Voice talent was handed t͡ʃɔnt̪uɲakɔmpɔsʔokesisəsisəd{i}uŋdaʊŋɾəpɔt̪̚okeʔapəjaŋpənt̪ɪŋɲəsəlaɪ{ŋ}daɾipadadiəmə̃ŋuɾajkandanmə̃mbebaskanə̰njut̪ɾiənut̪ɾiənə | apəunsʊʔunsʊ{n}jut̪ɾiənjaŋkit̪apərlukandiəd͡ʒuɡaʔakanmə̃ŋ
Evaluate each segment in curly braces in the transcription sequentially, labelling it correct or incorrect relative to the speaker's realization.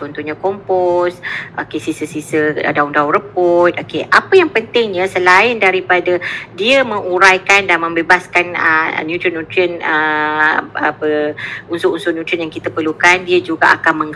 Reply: incorrect, incorrect, correct

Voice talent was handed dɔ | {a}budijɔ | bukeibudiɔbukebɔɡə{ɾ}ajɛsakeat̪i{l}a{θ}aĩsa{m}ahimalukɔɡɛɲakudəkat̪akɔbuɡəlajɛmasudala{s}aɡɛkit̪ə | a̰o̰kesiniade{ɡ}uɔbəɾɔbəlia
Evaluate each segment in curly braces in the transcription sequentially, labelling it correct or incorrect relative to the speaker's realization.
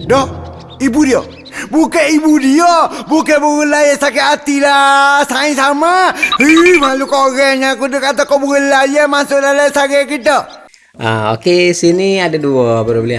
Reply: incorrect, incorrect, correct, incorrect, correct, correct, incorrect

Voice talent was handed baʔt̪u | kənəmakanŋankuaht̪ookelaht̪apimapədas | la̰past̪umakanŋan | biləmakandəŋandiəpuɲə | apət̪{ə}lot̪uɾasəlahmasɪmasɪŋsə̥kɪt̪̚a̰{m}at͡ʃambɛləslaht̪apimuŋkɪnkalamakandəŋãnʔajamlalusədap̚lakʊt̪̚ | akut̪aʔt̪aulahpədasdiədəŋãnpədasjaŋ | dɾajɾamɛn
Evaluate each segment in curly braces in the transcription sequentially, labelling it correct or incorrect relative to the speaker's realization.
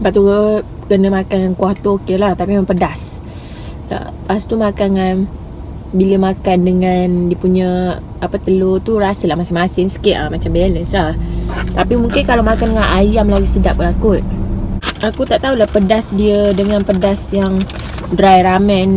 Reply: correct, correct

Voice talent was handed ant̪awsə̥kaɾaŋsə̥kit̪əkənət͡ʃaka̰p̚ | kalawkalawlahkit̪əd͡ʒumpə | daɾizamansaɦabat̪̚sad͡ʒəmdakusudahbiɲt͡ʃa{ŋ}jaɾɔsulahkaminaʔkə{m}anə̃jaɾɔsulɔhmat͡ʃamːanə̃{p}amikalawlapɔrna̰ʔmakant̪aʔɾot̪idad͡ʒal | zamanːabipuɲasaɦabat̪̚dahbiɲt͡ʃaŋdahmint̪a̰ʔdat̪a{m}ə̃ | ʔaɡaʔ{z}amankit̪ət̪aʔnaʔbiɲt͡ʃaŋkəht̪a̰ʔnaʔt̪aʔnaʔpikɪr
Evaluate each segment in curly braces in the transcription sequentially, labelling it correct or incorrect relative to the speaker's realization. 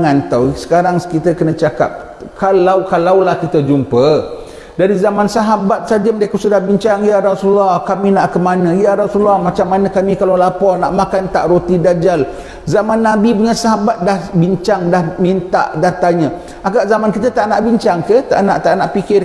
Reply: correct, correct, incorrect, incorrect, correct

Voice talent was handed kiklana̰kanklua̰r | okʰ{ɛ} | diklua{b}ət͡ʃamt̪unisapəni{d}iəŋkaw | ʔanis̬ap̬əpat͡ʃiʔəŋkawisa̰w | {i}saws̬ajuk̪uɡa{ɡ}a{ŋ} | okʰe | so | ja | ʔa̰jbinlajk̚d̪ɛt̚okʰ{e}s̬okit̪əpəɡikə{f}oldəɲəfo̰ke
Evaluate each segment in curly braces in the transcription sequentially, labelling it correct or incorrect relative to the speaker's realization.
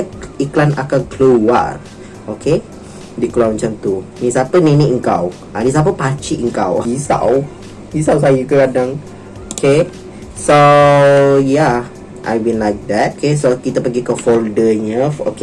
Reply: incorrect, incorrect, incorrect, correct, incorrect, correct, correct, correct

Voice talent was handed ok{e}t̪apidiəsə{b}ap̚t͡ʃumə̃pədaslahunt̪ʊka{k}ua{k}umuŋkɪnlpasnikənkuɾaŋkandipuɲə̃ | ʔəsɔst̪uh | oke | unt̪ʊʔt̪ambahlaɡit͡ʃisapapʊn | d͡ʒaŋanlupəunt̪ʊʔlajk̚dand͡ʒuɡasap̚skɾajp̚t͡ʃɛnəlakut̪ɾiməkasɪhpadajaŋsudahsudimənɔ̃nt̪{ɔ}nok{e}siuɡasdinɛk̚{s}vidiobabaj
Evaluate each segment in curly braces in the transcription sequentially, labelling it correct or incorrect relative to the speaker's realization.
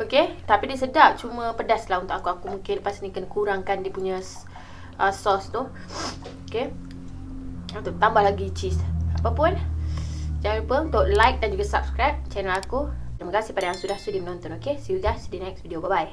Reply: correct, incorrect, correct, correct, correct, correct, correct

